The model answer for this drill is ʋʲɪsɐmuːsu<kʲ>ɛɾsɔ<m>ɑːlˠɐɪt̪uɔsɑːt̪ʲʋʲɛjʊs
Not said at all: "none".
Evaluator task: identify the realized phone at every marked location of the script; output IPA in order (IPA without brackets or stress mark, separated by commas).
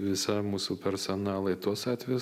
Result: pʲ, n